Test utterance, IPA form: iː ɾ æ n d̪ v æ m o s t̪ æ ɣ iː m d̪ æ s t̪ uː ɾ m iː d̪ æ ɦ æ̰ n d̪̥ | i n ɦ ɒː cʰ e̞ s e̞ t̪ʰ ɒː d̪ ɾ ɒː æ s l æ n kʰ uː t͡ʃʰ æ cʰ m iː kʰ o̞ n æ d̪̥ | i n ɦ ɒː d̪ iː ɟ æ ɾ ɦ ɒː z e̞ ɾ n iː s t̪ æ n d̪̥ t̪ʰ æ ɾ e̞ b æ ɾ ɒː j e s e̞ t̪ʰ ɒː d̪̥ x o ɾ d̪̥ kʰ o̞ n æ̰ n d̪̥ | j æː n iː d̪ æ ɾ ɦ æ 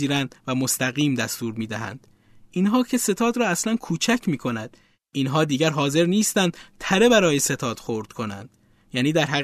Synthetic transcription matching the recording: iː ɾ æ n d̪ v æ m o s t̪ æ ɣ iː m d̪ æ s t̪ uː ɾ m iː d̪ æ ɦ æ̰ n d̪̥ | i n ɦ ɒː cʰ e̞ s e̞ t̪ʰ ɒː d̪ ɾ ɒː æ s l æ n kʰ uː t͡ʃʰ æ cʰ m iː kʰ o̞ n æ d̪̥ | i n ɦ ɒː d̪ iː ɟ æ ɾ ɦ ɒː z e̞ ɾ n iː s t̪ æ n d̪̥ t̪ʰ æ ɾ e̞ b æ ɾ ɒː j e s e̞ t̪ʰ ɒː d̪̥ x o ɾ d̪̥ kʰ o̞ n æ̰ n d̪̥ | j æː n iː d̪ æ ɾ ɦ æ